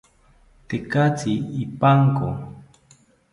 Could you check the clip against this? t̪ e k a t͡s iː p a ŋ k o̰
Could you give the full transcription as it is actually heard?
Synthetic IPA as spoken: t̪ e k a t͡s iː p a ŋ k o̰